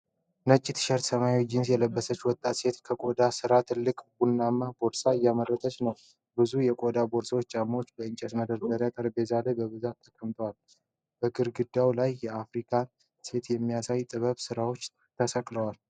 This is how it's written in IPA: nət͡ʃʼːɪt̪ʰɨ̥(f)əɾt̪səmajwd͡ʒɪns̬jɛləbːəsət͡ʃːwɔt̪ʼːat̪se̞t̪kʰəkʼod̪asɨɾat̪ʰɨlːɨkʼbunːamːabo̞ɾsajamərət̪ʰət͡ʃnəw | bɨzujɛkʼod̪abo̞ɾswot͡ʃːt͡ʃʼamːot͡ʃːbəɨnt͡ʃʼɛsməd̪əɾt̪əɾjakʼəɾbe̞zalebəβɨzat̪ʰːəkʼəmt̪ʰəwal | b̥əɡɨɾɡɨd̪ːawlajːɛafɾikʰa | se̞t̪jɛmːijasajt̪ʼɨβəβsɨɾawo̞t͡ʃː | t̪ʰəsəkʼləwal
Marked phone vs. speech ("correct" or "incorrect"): incorrect